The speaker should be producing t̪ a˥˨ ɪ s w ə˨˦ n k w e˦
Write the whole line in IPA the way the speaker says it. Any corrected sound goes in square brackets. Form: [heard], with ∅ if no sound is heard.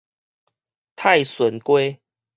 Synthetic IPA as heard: [t̪ʰ] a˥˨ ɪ s w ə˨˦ n k w e˦

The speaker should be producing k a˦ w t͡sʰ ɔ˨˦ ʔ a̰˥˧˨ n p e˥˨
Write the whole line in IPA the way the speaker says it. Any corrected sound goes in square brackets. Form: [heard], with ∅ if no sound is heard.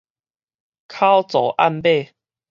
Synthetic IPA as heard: [kʰ] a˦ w [t͡s] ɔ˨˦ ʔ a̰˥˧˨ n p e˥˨

